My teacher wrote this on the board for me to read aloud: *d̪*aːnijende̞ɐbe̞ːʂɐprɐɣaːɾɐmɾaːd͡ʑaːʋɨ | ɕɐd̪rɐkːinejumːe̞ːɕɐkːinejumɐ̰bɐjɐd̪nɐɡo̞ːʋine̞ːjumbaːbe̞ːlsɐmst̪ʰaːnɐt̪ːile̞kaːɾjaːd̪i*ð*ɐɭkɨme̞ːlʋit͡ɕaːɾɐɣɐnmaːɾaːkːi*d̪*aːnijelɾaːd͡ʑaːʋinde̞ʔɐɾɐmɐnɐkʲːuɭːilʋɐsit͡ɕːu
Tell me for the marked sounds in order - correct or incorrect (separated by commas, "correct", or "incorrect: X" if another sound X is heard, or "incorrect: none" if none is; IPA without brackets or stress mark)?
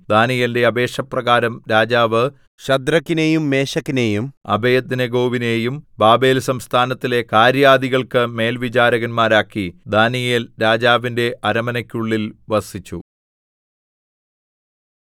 correct, incorrect: ɣ, correct